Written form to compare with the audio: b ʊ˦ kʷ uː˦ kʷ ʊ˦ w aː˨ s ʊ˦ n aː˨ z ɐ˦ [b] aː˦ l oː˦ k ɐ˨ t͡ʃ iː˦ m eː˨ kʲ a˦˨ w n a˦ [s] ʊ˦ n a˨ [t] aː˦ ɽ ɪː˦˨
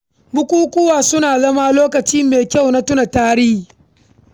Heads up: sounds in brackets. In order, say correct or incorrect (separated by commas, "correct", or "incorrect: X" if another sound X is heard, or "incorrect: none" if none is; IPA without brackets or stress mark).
incorrect: m, incorrect: t, correct